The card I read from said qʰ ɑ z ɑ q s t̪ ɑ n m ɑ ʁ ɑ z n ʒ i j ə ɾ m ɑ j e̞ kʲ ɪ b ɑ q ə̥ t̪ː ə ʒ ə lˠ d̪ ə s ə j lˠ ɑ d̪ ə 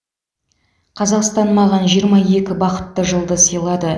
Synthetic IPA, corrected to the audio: qʰ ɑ z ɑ q s t̪ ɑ n m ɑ ʁ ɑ n ʒ i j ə ɾ m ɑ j e̞ kʲ ɪ b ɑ q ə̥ t̪ː ə ʒ ə lˠ d̪ ə s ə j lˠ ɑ d̪ ə